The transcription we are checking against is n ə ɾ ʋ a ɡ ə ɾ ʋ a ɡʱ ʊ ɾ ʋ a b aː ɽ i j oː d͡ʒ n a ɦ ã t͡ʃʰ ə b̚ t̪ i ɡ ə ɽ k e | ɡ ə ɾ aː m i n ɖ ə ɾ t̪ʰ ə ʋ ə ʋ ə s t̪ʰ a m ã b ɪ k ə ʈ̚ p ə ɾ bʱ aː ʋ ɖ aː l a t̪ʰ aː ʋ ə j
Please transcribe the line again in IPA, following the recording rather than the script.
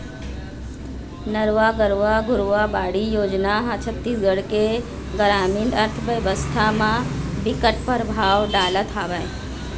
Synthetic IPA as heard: n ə ɾ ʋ a ɡ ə ɾ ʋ a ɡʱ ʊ ɾ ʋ a b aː ɽ i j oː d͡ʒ n a ɦ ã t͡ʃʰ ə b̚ t̪ i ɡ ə ɽ k e | ɡ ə ɾ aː m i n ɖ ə ɾ t̪ʰ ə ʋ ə ʋ ə s t̪ʰ a m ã b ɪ k ə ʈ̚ p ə ɾ bʱ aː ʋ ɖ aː l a t̪ʰ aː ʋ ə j